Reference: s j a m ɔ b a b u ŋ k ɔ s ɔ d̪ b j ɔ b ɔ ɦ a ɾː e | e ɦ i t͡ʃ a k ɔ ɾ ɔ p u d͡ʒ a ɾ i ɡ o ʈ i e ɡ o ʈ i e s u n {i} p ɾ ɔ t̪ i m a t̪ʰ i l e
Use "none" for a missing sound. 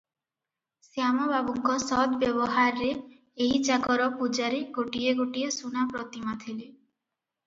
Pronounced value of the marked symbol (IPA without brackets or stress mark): a